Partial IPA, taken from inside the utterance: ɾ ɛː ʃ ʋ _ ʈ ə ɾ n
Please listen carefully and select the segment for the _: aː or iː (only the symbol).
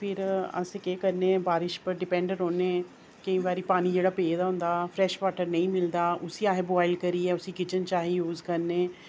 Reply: aː